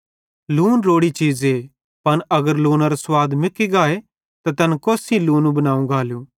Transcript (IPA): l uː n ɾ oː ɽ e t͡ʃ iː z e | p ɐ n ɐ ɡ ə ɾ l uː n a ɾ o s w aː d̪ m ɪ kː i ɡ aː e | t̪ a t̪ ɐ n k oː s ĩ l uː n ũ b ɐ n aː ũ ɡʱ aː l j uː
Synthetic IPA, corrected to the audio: l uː n ɾ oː ɽ i t͡ʃ iː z e | p ɐ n ɐ ɡ ə ɾ l uː n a ɾ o s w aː d̪ m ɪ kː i ɡ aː e | t̪ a t̪ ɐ n k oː s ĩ l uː n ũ b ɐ n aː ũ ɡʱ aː l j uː